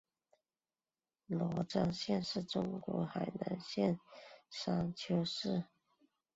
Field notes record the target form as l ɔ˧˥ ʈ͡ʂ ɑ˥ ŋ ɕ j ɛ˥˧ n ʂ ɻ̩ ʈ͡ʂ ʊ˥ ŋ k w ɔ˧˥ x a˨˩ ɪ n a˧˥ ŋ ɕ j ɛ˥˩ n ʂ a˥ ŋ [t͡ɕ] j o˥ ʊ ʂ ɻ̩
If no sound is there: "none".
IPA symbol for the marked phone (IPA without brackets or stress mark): t͡ɕʰ